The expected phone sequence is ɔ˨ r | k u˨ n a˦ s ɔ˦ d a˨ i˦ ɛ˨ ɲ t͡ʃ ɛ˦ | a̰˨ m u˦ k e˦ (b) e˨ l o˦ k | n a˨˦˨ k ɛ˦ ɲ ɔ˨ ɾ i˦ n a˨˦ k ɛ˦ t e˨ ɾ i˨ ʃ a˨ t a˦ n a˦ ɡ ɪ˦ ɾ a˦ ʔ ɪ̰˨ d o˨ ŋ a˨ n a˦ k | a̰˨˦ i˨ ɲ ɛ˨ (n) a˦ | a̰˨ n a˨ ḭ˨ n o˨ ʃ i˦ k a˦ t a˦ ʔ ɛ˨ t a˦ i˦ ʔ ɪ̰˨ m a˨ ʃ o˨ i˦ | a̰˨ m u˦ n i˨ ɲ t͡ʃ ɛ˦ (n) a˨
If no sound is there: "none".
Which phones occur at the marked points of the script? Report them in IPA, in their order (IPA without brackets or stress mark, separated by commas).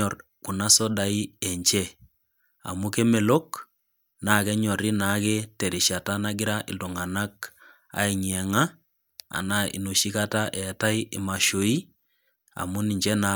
m, ŋ, n